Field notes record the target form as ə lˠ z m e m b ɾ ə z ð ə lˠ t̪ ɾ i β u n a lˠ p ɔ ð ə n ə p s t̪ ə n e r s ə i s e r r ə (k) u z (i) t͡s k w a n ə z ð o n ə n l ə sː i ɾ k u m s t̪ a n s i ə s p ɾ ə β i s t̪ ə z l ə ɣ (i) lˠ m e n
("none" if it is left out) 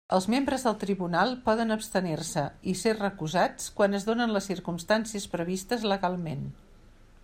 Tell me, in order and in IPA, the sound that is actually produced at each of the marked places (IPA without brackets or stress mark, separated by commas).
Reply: k, a, a